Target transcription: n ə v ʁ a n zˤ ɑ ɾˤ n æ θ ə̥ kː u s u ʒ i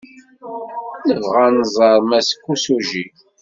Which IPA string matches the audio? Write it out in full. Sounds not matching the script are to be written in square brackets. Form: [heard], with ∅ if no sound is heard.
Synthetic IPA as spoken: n ə v ʁ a n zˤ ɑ ɾˤ [m] æ [s] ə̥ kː u s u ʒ i

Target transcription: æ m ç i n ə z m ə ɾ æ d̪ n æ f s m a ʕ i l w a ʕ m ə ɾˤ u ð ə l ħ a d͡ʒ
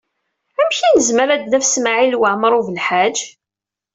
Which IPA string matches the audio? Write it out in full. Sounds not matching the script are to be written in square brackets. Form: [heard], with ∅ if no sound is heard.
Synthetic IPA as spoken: æ m ç i n ə z m ə ɾ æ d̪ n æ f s m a ʕ i l w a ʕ m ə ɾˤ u [v] ə l ħ a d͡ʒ

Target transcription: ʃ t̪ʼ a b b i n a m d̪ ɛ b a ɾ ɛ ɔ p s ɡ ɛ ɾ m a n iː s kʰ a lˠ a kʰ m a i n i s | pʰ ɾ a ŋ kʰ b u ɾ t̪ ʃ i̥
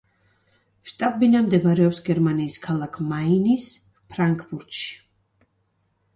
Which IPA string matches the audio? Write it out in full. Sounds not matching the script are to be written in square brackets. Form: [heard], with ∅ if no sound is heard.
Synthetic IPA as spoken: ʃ t̪ʼ a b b i n a m d̪ ɛ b a ɾ ɛ ɔ p s ɡ ɛ ɾ m a n iː s kʰ a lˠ a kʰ m a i n i s | pʰ ɾ a ŋ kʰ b u ɾ t̪ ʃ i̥

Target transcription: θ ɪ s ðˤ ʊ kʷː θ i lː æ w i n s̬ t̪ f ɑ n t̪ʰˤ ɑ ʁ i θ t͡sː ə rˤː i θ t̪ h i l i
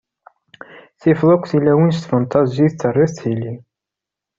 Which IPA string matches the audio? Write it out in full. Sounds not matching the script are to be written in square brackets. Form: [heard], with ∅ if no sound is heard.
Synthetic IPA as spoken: θ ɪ [f] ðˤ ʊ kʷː θ i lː æ w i n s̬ t̪ f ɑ n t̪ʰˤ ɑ [z] i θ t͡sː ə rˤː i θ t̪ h i l i

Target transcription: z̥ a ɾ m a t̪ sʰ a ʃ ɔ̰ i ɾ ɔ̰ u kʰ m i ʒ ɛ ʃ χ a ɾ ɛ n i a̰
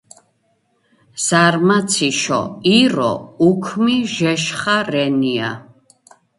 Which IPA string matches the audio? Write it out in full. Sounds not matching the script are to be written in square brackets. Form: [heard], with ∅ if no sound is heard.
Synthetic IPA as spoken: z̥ a ɾ m a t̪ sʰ [i] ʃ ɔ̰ i ɾ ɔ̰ u kʰ m i ʒ ɛ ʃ χ a ɾ ɛ n i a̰

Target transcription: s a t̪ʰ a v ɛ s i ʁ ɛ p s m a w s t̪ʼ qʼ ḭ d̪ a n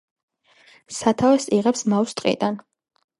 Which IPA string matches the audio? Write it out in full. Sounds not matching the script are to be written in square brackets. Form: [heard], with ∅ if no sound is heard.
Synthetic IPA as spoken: s a t̪ʰ a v ɛ s i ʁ ɛ p s m a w s t̪ʼ qʼ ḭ d̪ a n

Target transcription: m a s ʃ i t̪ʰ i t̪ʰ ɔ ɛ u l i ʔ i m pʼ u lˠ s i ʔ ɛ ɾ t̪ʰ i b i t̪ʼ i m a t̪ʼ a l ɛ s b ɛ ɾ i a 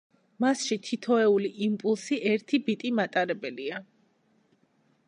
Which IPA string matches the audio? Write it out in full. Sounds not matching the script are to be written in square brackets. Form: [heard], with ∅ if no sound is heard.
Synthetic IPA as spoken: m a s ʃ i t̪ʰ i t̪ʰ ɔ ɛ u l i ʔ i m pʼ u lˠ s i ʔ ɛ ɾ t̪ʰ i b i t̪ʼ i m a t̪ʼ a [ɾ] ɛ [∅] b ɛ [l] i a

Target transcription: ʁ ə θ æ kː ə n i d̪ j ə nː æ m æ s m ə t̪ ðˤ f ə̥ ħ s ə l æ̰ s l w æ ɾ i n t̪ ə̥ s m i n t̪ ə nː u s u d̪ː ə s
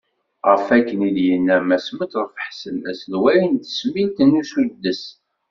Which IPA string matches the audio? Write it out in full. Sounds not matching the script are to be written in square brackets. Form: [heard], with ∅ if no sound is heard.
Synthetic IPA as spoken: ʁ ə [f] æ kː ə n i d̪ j ə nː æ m æ s m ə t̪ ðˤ f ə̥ ħ s ə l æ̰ s l w æ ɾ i n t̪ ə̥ s m i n t̪ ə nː u s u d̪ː ə s

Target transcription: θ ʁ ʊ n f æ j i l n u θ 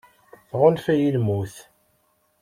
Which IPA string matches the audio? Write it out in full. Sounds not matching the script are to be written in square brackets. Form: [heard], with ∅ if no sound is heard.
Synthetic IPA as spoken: θ ʁ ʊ n f æ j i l [m] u θ

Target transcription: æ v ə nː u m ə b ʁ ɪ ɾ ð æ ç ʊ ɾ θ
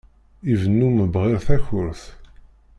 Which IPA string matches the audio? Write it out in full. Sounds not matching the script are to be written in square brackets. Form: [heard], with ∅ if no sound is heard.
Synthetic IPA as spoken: [i] v ə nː u m ə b ʁ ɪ ɾ [θ] æ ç ʊ ɾ θ

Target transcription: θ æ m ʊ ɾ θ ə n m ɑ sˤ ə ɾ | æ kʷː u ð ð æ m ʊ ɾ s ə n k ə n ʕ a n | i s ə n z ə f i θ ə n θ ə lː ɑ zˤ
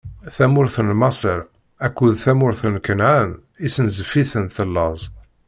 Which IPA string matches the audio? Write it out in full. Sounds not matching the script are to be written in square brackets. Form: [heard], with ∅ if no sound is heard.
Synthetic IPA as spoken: θ æ m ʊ ɾ θ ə n m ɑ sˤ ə ɾ | æ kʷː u ð [θ] æ m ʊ ɾ [θ] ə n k ə n ʕ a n | i s ə n z ə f i θ ə n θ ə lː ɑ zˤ

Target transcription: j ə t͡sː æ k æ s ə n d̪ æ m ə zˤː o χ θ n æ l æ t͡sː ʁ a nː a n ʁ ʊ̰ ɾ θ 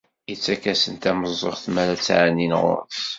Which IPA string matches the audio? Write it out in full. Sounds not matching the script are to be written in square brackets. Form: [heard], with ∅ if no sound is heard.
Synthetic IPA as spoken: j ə t͡sː æ k æ s ə n [t̪] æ m ə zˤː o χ θ [m] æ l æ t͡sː [ʕ] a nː [i] n ʁ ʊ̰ ɾ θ

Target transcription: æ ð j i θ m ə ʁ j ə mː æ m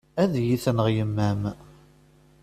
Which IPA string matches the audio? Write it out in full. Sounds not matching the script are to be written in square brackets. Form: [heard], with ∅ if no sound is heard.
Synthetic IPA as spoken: æ ð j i θ [n] ə ʁ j ə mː æ m

